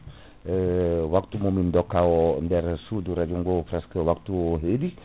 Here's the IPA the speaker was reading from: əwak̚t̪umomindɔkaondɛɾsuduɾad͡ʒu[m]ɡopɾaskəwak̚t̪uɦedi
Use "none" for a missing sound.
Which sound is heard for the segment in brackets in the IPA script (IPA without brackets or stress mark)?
ŋ